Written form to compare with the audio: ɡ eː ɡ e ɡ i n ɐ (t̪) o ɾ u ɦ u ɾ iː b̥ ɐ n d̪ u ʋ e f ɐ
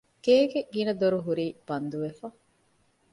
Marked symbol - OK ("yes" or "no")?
no